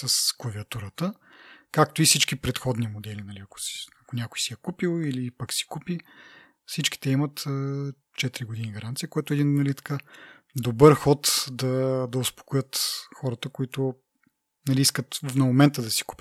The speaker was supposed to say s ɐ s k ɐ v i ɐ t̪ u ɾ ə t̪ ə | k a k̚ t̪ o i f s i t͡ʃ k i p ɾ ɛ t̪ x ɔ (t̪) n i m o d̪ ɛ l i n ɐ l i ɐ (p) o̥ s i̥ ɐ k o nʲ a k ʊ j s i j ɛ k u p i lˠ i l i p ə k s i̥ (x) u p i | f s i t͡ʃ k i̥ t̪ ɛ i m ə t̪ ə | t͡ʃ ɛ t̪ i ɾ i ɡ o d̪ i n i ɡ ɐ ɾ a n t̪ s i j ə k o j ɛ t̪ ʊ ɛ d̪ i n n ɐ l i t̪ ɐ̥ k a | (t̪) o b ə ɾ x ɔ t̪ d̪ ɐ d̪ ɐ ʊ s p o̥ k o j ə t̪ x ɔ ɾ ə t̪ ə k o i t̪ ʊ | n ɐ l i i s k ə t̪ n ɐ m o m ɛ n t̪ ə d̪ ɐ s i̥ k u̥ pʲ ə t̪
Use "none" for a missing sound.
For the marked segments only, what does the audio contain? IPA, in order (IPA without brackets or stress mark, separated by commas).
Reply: d̪, k, k, d̪